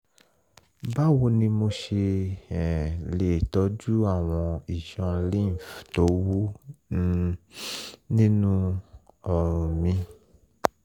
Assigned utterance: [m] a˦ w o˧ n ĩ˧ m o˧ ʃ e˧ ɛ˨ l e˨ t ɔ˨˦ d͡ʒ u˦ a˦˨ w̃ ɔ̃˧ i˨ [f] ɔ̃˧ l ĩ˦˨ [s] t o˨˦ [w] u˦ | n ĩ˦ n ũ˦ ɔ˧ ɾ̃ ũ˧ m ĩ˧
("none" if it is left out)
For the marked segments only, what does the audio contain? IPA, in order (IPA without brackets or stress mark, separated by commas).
b, ʃ, f, w